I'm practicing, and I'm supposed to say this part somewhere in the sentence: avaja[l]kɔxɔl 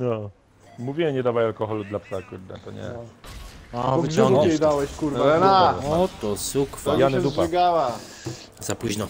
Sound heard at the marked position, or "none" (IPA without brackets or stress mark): l